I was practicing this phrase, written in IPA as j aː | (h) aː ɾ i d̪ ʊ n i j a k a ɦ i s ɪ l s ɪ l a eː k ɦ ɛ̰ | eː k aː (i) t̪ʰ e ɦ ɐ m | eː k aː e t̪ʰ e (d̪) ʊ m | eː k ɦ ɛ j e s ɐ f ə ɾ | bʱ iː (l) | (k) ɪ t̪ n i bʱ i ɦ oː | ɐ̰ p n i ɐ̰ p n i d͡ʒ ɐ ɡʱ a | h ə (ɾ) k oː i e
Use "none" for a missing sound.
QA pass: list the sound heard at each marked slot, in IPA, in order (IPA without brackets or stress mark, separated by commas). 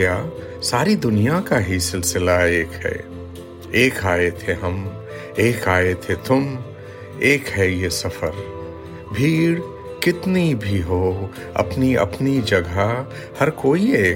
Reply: s, e, t̪, ɽ, k, ɾ